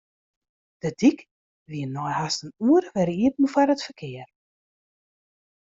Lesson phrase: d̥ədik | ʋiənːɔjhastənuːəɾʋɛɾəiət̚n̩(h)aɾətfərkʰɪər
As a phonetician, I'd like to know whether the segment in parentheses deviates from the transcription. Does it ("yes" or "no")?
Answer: yes